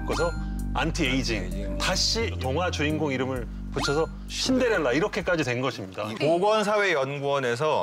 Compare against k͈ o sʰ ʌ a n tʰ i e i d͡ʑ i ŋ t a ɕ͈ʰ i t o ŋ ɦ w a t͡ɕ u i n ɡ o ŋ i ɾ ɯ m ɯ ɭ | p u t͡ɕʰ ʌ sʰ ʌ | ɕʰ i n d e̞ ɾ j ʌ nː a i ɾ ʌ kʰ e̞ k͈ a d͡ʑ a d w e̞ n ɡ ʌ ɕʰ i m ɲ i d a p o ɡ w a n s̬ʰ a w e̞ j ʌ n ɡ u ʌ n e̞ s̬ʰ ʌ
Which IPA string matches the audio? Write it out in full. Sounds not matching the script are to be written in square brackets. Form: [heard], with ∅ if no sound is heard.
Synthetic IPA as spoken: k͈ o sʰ ʌ a n tʰ i e i d͡ʑ i ŋ t a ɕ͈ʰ i t o ŋ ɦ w a t͡ɕ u i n ɡ o ŋ i ɾ ɯ m ɯ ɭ | p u t͡ɕʰ ʌ sʰ ʌ | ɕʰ i n d e̞ ɾ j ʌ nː a i ɾ ʌ kʰ e̞ k͈ a d͡ʑ [i] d w e̞ n ɡ ʌ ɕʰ i m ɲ i d a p o ɡ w [ʌ] n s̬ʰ a w e̞ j ʌ n ɡ u ʌ n e̞ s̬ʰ ʌ